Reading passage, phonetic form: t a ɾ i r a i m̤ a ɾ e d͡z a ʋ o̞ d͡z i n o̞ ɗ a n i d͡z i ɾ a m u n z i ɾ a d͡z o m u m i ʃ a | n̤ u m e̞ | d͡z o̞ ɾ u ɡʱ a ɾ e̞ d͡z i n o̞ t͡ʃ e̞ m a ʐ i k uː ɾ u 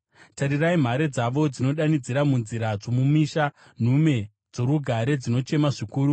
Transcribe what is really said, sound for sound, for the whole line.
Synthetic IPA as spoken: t a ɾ i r a i m̤ a ɾ e d͡z a ʋ o̞ d͡z i n o̞ ɗ a n i d͡z i ɾ a m u n z i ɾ a d͡z o m u m i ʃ a | n̤ u m e̞ | d͡z o̞ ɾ u ɡʱ a ɾ e̞ d͡z i n o̞ t͡ʃ e̞ m a ʐ i k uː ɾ u

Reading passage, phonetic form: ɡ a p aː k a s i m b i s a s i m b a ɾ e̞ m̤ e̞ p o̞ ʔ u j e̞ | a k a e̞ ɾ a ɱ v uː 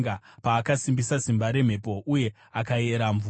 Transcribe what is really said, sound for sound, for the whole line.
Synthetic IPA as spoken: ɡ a p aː k a s i m b i s a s i m b a ɾ e̞ m̤ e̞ p o̞ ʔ u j e̞ | a k a e̞ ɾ a ɱ v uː

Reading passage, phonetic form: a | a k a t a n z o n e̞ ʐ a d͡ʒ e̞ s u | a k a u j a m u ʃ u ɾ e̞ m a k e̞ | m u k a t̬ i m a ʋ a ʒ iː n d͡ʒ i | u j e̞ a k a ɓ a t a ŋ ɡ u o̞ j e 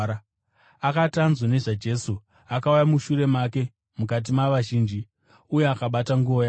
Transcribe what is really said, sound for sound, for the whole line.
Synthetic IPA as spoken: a | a k a t a n z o n e̞ ʐ a d͡ʒ e̞ s u | a k a u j a m u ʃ u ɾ e̞ m a k e̞ | m u k a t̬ i m a ʋ a ʒ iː n d͡ʒ i | u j e̞ a k a ɓ a t a ŋ ɡ u o̞ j a

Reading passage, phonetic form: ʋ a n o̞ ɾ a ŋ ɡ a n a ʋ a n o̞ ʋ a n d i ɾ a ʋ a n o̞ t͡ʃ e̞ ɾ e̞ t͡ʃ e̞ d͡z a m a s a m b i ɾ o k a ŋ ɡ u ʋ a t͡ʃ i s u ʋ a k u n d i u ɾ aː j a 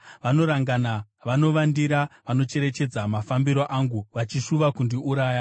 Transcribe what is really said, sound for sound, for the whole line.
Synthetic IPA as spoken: ʋ a n o̞ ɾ a ŋ ɡ a n a ʋ a n o̞ ʋ a n d i ɾ a ʋ a n o̞ t͡ʃ e̞ ɾ e̞ t͡ʃ e̞ d͡z a m a f a m b i ɾ o ʔ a ŋ ɡ u ʋ a t͡ʃ i ʂ u ʋ a k u n d i u ɾ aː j a

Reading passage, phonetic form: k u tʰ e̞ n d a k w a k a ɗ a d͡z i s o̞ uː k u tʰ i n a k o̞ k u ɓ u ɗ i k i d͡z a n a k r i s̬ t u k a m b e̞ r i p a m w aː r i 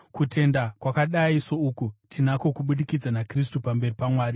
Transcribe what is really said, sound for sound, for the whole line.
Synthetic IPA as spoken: k u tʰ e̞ n d a k w a k a ɗ a i s o̞ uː k u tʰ i n a k o̞ k u ɓ u ɗ i k i d͡z a n a k r i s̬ t u p a m b e̞ r i p a m w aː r i

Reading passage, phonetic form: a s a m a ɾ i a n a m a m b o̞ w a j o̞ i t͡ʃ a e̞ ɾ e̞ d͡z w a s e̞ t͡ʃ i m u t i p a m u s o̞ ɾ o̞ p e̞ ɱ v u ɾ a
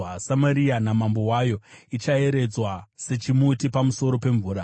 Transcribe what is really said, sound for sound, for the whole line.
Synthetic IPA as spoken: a s a m a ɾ i a n a m a m b o̞ w a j o̞ i t͡ʃ a e̞ ɾ e̞ d͡z w a s e̞ t͡ʃ i m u t i p a m u s o̞ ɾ o̞ p e̞ ɱ v uː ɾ a

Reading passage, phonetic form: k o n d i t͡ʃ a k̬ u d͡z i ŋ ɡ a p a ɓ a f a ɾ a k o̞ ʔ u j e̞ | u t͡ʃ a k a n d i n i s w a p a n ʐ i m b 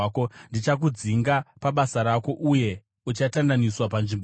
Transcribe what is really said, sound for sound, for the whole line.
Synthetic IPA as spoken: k o n d i t͡ʃ a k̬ u d͡z i ŋ ɡ a p a ɓ a s a ɾ a k o̞ ʔ u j e̞ | u t͡ʃ a t a n d a n i s w a p a n ʐ i m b

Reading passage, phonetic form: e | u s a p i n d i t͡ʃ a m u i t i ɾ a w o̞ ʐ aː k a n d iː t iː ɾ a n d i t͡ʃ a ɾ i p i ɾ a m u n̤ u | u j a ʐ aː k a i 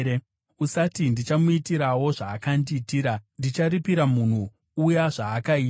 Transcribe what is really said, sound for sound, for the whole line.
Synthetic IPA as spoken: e | u s a t i n d i t͡ʃ a m u i t i ɾ a w o̞ ʐ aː k a n d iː t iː ɾ a n d i t͡ʃ a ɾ i p i ɾ a m u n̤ u | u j a ʐ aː k a i

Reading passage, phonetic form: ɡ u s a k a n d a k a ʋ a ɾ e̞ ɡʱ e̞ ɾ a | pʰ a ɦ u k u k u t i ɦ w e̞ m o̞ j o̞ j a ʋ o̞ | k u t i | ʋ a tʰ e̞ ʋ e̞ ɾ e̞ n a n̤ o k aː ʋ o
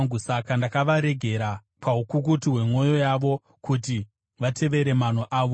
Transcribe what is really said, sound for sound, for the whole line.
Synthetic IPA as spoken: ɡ u s a k a n d a k a ʋ a ɾ e̞ ɡʱ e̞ ɾ a | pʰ a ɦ u k u k u t i ɦ w e̞ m o̞ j o̞ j a ʋ o̞ | k u t i | ʋ a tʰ e̞ ʋ e̞ ɾ e̞ m a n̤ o ʔ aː ʋ o

